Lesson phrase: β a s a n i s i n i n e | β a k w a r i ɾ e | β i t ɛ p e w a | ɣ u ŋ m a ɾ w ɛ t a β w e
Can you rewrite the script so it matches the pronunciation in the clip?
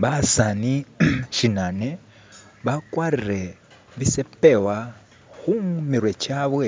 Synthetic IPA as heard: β a s a n i ʃ i n a n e | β a k w a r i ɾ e | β i s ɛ p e w a | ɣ u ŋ m i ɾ w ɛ t͡ʃ a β w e